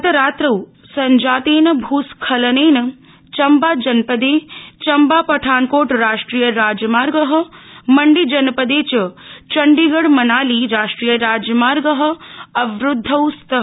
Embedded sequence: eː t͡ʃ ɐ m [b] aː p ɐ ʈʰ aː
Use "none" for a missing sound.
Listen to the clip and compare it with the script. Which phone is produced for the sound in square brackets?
b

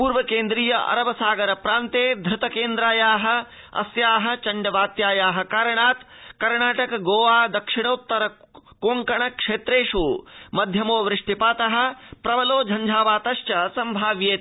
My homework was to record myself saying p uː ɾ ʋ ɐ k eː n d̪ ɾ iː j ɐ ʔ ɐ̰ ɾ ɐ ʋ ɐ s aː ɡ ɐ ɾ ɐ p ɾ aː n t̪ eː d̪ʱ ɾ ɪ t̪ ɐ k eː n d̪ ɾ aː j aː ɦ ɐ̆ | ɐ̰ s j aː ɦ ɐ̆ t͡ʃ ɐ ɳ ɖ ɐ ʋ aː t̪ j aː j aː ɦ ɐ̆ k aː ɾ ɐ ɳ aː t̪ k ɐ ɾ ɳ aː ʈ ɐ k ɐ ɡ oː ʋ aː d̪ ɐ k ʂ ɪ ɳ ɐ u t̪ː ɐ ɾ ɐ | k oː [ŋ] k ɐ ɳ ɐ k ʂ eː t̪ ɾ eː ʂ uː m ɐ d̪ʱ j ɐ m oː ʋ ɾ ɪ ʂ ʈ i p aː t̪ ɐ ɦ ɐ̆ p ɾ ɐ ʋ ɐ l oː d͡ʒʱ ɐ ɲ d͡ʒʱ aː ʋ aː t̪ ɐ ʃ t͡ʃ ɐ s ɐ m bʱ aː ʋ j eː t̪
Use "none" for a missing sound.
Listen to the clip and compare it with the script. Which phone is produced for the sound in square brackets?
ŋ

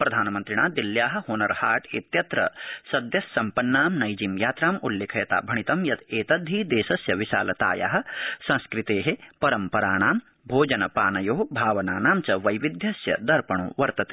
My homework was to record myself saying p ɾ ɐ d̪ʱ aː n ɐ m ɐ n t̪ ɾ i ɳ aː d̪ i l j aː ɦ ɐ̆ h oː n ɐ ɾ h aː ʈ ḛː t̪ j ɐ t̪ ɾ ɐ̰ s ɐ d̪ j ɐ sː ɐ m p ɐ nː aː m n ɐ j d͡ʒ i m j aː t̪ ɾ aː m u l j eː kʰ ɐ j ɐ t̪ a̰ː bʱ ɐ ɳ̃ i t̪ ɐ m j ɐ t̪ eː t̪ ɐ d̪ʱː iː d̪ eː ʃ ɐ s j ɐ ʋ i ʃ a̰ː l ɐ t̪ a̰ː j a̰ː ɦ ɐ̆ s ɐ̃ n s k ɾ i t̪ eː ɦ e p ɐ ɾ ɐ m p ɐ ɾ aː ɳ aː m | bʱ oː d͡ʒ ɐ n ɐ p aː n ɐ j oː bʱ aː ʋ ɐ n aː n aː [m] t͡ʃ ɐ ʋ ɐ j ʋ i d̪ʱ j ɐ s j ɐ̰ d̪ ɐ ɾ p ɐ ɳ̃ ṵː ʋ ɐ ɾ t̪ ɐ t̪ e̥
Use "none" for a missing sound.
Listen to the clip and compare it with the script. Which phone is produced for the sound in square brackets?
m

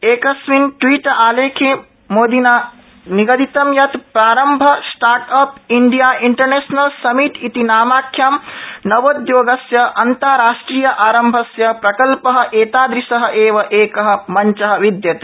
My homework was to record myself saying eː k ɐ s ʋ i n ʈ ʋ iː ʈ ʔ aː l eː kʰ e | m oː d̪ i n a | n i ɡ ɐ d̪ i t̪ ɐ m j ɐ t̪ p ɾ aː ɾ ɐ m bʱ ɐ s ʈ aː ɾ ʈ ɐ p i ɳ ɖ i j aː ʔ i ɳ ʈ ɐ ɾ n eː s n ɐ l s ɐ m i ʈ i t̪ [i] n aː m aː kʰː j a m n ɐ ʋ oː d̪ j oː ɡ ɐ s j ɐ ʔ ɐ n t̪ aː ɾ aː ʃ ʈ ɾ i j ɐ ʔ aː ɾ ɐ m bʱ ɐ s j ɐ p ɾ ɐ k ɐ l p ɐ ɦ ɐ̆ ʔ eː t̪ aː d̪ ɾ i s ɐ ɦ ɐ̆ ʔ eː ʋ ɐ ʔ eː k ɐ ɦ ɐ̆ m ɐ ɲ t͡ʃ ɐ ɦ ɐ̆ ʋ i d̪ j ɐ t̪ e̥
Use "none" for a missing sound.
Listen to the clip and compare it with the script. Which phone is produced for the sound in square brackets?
i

